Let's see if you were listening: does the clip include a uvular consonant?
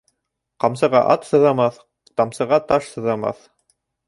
yes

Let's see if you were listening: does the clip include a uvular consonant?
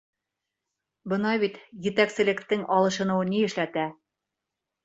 no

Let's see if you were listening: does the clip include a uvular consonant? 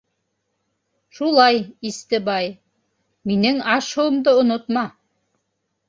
no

